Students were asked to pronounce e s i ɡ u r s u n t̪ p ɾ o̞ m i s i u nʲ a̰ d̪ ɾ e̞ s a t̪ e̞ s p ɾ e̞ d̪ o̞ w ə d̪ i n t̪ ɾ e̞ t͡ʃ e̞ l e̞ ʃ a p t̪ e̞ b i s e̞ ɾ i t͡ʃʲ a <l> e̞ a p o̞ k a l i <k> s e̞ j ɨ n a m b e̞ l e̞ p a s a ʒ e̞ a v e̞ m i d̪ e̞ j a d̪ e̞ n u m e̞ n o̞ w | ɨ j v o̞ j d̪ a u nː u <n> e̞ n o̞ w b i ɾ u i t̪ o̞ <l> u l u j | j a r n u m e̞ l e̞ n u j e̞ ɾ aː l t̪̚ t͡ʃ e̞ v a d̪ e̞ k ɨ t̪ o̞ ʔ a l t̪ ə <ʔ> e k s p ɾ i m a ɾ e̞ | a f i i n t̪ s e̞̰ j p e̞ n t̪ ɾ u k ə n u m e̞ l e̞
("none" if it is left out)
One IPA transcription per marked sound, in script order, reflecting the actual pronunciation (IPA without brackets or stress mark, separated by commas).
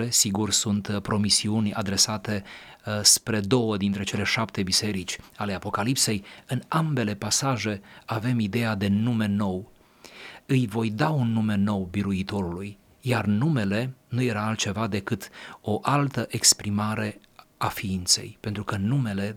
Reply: l, p, m, ɾ, ʔ